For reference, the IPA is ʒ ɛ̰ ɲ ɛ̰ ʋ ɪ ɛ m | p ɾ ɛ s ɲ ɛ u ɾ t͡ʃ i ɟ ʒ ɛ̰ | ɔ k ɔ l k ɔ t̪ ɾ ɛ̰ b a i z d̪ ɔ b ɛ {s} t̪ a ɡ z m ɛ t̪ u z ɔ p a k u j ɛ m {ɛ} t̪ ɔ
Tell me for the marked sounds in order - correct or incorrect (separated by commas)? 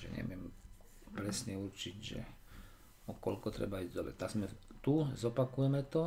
incorrect, correct